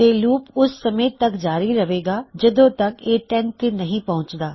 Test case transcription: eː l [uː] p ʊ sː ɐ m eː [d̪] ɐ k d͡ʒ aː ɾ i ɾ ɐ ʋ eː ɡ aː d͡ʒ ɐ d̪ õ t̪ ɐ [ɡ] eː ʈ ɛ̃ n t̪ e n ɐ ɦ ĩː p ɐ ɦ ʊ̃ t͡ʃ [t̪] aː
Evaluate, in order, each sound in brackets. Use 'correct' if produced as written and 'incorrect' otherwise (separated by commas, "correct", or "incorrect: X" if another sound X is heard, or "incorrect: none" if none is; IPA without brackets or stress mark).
correct, incorrect: t̪, incorrect: k, incorrect: d̪